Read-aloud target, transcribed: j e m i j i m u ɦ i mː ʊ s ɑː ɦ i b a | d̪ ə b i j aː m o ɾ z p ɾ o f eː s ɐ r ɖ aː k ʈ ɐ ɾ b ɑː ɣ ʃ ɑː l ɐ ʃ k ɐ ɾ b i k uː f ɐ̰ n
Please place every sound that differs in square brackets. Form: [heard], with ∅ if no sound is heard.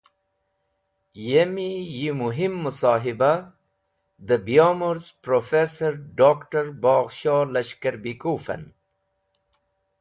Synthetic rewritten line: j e m i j i m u ɦ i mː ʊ s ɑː ɦ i b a | d̪ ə b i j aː m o ɾ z p ɾ o f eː s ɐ [ɾ] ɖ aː k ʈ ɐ ɾ b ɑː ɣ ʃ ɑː l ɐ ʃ k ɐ ɾ b i k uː f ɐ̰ n